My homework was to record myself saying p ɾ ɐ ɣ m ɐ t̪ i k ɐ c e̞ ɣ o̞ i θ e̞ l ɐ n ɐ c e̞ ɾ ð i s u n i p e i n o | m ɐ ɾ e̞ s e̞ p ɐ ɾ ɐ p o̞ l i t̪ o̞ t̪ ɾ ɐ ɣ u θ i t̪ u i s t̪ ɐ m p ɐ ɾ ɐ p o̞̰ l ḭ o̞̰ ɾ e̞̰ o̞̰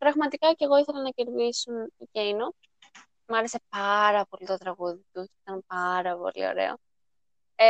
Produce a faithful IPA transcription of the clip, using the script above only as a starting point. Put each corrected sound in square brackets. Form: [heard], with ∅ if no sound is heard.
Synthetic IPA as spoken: p ɾ ɐ ɣ m ɐ t̪ i k ɐ c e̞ ɣ o̞ i θ e̞ l ɐ n ɐ c e̞ ɾ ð i s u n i [c] e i n o | m ɐ ɾ e̞ s e̞ p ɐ ɾ ɐ p o̞ l i t̪ o̞ t̪ ɾ ɐ ɣ u [ð] i t̪ u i [∅] t̪ ɐ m p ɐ ɾ ɐ p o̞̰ l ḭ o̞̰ ɾ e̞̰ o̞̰